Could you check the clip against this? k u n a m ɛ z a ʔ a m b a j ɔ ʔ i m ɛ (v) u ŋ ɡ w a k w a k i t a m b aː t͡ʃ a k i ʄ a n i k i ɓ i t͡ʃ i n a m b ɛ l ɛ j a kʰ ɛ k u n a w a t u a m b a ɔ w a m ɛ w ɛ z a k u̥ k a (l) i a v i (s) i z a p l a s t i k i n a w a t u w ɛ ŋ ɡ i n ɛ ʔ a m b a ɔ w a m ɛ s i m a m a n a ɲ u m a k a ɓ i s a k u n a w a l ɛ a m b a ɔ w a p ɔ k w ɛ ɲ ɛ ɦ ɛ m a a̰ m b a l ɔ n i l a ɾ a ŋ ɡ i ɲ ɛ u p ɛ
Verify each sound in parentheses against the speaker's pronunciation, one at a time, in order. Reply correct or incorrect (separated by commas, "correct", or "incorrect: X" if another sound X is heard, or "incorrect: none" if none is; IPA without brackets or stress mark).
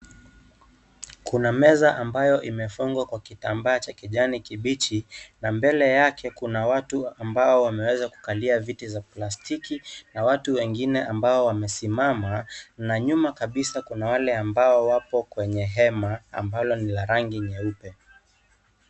incorrect: f, correct, incorrect: t